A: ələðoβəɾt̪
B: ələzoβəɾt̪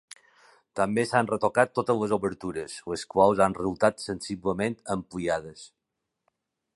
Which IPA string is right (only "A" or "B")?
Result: B